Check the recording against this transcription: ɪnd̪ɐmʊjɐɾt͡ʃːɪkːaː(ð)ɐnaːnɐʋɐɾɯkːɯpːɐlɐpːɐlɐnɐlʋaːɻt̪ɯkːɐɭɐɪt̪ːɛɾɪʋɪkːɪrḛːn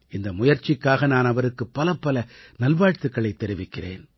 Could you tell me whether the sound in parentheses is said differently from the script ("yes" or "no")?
yes